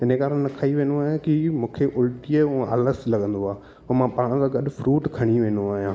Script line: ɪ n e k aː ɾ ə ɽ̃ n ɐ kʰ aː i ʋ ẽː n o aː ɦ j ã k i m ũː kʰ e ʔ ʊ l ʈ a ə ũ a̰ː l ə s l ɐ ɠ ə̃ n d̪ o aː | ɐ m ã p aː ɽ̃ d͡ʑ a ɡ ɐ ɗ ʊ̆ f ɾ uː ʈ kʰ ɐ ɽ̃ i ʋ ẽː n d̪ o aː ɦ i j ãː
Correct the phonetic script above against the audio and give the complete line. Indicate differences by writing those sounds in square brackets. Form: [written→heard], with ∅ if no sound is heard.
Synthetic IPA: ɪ n e k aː ɾ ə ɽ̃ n ɐ kʰ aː i ʋ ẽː n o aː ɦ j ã k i m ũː kʰ e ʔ ʊ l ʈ [a→i] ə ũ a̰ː l ə s l ɐ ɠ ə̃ n d̪ o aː | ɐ m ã p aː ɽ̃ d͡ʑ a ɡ ɐ ɗ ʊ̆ f ɾ uː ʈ kʰ ɐ ɽ̃ i ʋ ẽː n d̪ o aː ɦ i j ãː